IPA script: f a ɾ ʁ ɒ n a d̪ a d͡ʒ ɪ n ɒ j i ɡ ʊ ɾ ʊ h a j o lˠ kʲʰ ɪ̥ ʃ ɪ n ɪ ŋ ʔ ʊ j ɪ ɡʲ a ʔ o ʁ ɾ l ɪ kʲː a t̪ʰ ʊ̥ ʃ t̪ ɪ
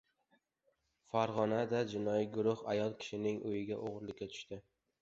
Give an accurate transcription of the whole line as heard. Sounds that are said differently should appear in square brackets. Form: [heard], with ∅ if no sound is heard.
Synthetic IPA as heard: f a ɾ ʁ ɒ n a d̪ a d͡ʒ ɪ n ɒ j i ɡ ʊ ɾ ʊ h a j [ɒ] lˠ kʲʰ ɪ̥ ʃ ɪ n ɪ ŋ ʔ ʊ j ɪ ɡʲ a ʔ o ʁ ɾ l ɪ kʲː a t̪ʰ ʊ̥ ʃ t̪ ɪ

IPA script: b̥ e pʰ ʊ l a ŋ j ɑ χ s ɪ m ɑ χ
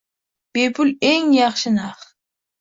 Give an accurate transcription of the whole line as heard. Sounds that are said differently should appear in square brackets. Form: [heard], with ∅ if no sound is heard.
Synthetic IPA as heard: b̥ e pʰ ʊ l [e] ŋ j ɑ χ [ʃ] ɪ [n] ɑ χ

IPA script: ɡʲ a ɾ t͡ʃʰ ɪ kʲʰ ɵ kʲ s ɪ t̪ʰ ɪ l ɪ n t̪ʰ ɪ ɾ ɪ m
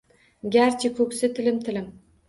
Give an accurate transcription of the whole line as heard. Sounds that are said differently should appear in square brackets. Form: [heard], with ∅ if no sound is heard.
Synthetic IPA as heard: ɡʲ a ɾ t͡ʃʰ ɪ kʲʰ ɵ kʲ s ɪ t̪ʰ ɪ l ɪ [m] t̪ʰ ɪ [l] ɪ m

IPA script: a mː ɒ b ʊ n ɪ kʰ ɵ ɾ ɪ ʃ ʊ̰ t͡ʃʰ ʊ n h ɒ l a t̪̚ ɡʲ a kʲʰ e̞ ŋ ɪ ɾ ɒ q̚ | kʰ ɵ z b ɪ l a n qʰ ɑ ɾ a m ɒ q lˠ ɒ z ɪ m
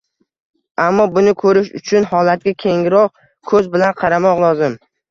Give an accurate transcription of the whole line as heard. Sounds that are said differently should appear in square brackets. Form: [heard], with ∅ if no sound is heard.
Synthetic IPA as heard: a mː ɒ b ʊ n ɪ kʰ ɵ ɾ ɪ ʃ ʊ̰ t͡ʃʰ ʊ n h ɒ l a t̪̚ ɡʲ a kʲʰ e̞ ŋ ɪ ɾ ɒ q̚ | kʰ ɵ z b ɪ l a n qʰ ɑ ɾ a m ɒ q lˠ ɒ z ɪ m

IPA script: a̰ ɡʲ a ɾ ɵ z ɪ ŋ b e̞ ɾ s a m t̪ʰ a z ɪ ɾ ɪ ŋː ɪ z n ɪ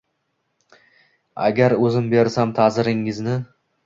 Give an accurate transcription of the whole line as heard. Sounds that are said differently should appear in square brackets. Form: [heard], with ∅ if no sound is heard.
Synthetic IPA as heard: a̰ ɡʲ a ɾ ɵ z ɪ [m] b e̞ ɾ s a m t̪ʰ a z ɪ ɾ ɪ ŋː ɪ z n ɪ

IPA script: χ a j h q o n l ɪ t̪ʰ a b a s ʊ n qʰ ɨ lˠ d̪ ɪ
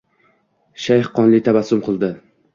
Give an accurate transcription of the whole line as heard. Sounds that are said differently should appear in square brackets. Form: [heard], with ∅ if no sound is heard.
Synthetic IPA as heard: [ʃ] a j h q [ɒ] n l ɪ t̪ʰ a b a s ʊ [m] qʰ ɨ lˠ d̪ ɪ

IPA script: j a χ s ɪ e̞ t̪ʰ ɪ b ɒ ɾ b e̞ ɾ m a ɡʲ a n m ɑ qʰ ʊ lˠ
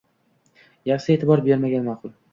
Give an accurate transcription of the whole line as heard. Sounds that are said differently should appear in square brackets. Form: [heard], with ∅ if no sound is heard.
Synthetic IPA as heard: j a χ s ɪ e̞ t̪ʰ ɪ b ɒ ɾ b e̞ ɾ m a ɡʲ a n m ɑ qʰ ʊ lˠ

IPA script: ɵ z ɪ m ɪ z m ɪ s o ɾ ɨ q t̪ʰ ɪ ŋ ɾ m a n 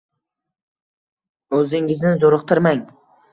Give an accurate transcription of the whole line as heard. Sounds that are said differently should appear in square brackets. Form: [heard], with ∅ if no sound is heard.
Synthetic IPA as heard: ɵ z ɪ [ŋ] ɪ z [n] ɪ [z] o ɾ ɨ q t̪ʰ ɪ [∅] ɾ m a [ŋ]

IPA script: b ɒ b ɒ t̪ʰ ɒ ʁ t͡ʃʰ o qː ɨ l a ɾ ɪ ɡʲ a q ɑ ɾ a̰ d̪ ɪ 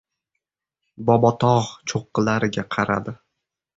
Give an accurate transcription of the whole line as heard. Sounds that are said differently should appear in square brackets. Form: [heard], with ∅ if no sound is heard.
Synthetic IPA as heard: b ɒ b ɒ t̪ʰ ɒ ʁ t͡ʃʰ o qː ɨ l a ɾ ɪ ɡʲ a [qʰ] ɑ ɾ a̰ d̪ ɪ

